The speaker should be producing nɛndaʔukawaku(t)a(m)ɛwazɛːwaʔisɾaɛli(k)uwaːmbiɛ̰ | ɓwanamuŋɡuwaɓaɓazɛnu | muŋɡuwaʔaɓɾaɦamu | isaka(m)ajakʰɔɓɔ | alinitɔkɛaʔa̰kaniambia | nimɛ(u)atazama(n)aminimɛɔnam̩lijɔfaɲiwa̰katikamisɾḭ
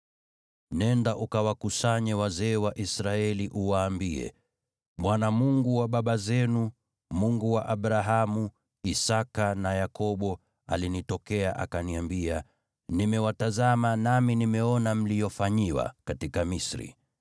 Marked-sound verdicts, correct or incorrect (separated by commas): incorrect, incorrect, incorrect, incorrect, incorrect, correct